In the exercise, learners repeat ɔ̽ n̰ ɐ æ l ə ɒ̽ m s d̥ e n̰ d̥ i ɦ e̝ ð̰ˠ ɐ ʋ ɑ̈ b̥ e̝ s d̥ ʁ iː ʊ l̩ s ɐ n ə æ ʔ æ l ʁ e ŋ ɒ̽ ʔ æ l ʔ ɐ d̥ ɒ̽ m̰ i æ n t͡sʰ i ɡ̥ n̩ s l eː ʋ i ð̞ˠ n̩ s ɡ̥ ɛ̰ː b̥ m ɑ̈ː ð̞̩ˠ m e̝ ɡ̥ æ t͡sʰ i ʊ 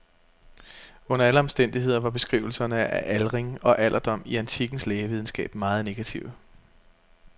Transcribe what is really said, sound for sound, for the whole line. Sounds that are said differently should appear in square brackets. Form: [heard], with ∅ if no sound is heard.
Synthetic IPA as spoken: ɔ̽ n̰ ɐ æ l ə ɒ̽ m s d̥ e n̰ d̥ i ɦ e̝ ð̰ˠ ɐ ʋ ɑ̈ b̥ e̝ s [ɡ̥] ʁ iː ʊ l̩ s ɐ n ə æ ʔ æ l ʁ e ŋ ɒ̽ ʔ æ l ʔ ɐ d̥ ɒ̽ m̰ i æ n t͡sʰ i ɡ̥ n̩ s l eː ʋ i ð̞ˠ n̩ s ɡ̥ ɛ̰ː b̥ m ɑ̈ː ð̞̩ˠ [n] e̝ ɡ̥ æ t͡sʰ i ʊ

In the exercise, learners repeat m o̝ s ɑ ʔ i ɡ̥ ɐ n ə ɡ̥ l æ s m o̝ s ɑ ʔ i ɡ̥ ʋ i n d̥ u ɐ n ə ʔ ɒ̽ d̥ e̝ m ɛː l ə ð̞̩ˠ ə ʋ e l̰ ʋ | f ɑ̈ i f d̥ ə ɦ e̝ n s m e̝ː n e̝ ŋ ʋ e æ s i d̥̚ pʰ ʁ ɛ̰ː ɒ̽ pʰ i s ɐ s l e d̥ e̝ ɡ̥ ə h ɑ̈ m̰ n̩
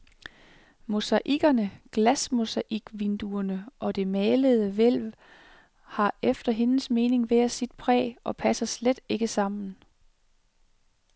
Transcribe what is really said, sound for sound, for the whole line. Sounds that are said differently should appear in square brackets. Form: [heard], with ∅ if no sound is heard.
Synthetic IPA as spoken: m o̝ s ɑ ʔ i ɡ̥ ɐ n ə ɡ̥ l æ s m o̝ s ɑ ʔ i ɡ̥ ʋ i n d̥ u ɐ n ə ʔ ɒ̽ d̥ e̝ m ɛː l ə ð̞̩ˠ ə ʋ e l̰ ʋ | [h] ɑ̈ [e] f d̥ [ɐ] ɦ e̝ n s m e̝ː n e̝ ŋ ʋ e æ s i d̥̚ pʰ ʁ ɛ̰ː ɒ̽ pʰ [æ] s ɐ s l e d̥ e̝ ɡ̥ ə [s] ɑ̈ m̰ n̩

